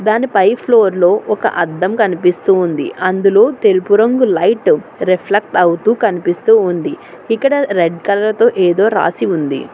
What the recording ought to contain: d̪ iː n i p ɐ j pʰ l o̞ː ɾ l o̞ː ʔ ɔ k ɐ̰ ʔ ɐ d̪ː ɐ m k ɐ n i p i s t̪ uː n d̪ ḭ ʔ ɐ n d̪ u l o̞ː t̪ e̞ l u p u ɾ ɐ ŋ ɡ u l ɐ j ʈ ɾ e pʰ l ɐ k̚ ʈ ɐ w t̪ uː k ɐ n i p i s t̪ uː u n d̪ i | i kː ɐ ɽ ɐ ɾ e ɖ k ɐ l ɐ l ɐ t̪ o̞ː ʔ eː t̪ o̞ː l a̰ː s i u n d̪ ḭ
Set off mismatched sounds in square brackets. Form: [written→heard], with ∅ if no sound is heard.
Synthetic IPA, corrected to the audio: d̪ [iː→aː] n i p ɐ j pʰ l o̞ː ɾ l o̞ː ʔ ɔ k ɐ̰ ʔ ɐ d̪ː ɐ m k ɐ n i p i s t̪ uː n d̪ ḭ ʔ ɐ n d̪ u l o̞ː t̪ e̞ l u p u ɾ ɐ ŋ ɡ u l ɐ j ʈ ɾ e pʰ l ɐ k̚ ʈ ɐ w t̪ uː k ɐ n i p i s t̪ uː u n d̪ i | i kː ɐ ɽ ɐ ɾ e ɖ k ɐ l ɐ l ɐ t̪ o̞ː ʔ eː [t̪→d̪] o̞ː [l→ɾ] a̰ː s i u n d̪ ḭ